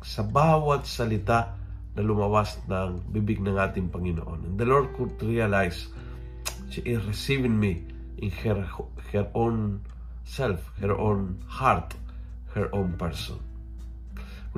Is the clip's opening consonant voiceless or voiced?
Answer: voiceless